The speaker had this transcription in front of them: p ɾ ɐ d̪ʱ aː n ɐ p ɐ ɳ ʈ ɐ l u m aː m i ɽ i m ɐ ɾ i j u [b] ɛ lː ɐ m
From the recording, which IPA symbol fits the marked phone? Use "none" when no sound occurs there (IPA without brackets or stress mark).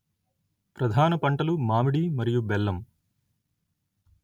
b